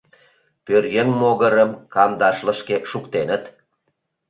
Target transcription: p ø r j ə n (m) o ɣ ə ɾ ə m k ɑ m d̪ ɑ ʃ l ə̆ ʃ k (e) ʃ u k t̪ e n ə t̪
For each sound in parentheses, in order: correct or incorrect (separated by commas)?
correct, correct